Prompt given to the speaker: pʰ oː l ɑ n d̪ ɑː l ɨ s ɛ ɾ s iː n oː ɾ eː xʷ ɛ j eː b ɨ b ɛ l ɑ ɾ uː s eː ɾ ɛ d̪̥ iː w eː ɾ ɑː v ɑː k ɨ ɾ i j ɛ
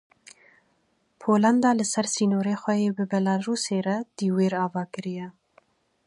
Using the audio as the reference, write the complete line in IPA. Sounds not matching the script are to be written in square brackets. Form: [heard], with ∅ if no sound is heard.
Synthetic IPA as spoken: pʰ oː l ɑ n d̪ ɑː l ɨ s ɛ ɾ s iː n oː ɾ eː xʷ ɛ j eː b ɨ b ɛ l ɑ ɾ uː s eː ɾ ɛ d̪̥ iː w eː ɾ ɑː v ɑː k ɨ ɾ i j ɛ